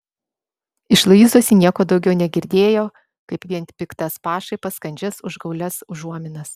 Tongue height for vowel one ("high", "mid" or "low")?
high